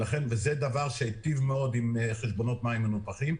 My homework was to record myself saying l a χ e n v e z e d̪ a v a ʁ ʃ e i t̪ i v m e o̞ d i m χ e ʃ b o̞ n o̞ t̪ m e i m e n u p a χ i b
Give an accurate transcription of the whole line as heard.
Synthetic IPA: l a χ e n v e z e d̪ a v a ʁ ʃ e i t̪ i v m e o̞ d i m χ e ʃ b o̞ n o̞ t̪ m a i m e n u p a χ i m